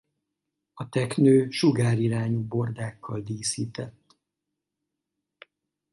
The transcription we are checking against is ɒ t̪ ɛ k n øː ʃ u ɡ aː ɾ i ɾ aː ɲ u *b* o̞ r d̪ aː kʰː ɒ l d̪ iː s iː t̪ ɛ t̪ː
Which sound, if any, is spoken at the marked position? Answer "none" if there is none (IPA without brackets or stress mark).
b